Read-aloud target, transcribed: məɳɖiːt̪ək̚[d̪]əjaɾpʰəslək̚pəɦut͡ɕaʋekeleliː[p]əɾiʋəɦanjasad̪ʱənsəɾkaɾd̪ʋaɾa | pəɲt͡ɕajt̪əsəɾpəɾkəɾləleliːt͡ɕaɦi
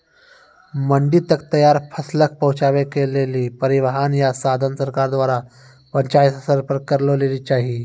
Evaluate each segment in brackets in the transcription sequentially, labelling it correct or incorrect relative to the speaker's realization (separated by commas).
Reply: incorrect, correct